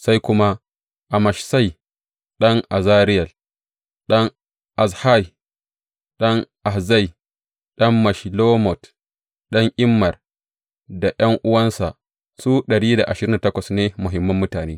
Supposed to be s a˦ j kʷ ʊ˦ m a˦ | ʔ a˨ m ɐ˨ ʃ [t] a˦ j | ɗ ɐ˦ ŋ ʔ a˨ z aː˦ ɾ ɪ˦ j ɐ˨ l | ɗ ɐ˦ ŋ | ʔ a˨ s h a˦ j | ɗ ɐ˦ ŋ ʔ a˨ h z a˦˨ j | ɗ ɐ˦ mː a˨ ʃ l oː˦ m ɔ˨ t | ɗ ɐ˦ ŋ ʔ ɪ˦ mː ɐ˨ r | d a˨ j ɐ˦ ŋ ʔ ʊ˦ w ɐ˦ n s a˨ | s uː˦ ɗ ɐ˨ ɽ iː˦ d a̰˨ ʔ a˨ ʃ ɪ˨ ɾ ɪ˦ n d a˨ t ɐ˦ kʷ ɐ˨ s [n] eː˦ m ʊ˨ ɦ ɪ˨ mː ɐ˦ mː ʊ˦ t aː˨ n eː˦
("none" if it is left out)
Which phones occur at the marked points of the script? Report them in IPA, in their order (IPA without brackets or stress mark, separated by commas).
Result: s, n